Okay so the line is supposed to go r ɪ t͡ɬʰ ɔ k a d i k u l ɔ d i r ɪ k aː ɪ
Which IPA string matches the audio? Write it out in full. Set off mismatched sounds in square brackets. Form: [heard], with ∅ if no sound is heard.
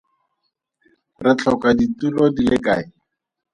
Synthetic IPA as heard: r ɪ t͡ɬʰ ɔ k a d i [t] u l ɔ d i [l] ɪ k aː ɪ